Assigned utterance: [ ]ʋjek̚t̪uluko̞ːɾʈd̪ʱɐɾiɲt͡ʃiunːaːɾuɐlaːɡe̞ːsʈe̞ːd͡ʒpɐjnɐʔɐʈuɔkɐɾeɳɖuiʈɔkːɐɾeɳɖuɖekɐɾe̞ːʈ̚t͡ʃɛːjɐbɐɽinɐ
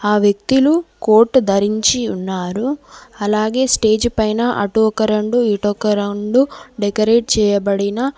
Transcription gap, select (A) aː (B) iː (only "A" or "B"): A